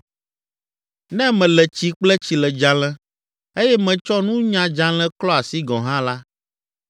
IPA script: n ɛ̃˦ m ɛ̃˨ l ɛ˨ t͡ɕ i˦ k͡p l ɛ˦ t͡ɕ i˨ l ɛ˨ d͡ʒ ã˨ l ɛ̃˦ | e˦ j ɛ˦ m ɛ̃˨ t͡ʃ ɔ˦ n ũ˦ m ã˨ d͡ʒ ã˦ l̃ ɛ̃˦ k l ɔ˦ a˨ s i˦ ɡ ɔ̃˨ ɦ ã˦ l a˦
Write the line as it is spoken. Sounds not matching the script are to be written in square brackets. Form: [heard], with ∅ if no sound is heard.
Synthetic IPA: n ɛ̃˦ m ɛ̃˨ l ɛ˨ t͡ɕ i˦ k͡p l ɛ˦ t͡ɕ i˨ l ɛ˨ d͡ʒ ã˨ l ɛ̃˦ | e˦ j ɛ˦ m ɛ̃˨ t͡ʃ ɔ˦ n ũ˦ [ɲ] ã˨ d͡ʒ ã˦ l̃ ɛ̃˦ k l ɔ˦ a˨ s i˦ ɡ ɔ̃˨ ɦ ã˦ l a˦